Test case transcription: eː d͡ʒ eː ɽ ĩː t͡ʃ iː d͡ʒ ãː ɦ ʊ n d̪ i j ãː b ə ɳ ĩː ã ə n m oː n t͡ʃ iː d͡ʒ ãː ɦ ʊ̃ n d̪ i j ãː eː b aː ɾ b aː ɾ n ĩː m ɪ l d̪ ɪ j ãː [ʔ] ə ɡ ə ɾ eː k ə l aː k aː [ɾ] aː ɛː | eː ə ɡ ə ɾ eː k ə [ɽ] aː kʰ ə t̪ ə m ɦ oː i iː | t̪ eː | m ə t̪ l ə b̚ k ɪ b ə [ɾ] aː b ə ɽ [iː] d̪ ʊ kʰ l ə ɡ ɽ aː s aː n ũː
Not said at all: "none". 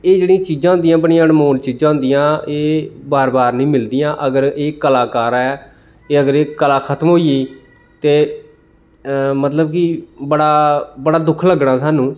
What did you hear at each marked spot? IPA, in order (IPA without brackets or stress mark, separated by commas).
ʔ, ɾ, l, ɽ, aː